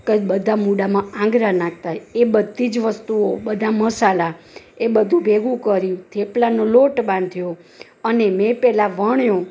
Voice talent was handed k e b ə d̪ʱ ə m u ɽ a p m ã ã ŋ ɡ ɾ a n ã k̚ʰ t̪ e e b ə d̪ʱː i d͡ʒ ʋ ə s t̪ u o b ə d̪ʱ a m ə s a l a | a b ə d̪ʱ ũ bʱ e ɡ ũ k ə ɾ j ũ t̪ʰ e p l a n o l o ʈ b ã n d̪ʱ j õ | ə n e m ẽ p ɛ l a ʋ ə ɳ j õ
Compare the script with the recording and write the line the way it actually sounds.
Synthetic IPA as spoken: k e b ə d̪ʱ a m u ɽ a m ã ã ŋ ɡ ɾ a n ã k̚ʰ t̪ a e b ə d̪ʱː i d͡ʒ ʋ ə s t̪ u o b ə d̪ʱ a m ə s a l a | e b ə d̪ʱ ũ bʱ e ɡ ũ k ə ɾ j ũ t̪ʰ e p l a n o l o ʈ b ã n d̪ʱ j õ | ə n e m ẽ p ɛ l a ʋ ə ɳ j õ